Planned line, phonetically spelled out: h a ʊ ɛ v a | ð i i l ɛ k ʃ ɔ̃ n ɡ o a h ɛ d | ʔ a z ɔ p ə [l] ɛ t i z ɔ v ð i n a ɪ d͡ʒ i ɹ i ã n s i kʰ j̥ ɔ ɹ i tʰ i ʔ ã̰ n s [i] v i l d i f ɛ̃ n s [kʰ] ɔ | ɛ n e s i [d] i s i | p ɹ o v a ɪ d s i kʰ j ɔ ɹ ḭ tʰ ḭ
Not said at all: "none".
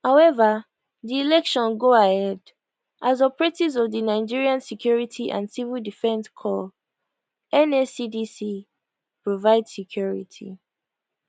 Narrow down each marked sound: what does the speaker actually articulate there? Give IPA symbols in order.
ɹ, i, kʰ, d

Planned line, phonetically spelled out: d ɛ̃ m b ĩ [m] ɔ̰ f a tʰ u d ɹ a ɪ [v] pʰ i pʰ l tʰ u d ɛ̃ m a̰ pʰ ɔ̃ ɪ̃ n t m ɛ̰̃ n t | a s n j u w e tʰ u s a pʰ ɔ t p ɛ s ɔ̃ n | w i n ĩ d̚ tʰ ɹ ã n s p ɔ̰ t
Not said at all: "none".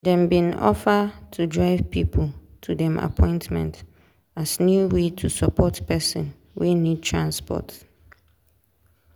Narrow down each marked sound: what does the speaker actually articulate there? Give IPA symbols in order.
n, v

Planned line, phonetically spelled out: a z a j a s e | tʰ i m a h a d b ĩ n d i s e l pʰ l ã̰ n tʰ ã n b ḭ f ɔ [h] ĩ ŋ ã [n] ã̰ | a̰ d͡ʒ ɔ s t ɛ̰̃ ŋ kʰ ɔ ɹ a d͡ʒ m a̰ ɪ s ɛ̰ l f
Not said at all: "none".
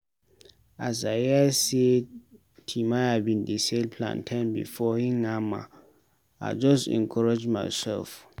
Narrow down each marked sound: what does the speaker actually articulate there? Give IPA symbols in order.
h, m

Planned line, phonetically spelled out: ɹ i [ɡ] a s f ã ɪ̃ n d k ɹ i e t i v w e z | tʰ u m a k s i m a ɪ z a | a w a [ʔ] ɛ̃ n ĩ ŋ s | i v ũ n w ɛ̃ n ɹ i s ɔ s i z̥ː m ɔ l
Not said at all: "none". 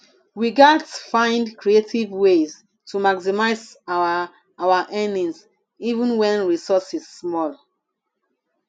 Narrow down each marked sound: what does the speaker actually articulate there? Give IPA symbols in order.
ɡ, ʔ

